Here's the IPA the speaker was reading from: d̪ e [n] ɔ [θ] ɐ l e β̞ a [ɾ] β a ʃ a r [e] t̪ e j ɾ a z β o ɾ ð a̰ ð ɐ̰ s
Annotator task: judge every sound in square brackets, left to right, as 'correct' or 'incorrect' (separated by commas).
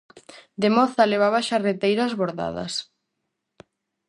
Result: incorrect, correct, incorrect, correct